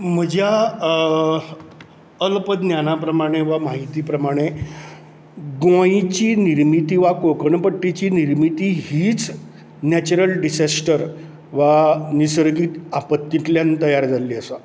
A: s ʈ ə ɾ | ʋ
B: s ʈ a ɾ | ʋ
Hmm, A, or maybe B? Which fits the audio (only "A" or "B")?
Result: A